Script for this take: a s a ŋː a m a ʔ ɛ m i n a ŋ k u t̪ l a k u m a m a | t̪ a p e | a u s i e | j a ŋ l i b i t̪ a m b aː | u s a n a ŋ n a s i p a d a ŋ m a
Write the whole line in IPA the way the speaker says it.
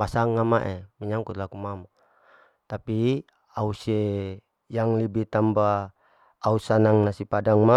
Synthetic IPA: a s a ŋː a m a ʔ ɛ m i ɲ a ŋ k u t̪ l a k u m a m a | t̪ a p i | a u s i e | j a ŋ l i b i t̪ a m b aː | u s a n a ŋ n a s i p a d a ŋ m a